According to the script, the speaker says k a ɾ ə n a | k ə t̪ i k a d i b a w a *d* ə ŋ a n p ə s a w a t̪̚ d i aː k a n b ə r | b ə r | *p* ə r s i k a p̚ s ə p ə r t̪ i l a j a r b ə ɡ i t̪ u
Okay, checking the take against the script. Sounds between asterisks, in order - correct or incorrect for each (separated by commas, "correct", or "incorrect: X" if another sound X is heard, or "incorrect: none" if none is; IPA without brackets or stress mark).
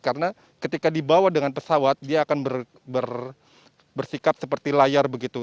correct, incorrect: b